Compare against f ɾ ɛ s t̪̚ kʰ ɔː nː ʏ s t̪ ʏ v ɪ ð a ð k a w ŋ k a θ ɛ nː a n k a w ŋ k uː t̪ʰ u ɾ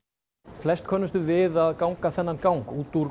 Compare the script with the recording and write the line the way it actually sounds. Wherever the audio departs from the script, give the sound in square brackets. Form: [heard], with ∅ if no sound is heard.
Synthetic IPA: f [l] ɛ s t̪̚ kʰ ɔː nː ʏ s t̪ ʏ v ɪ ð a ð k a w ŋ k a θ ɛ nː a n k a w ŋ k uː [t̪] u ɾ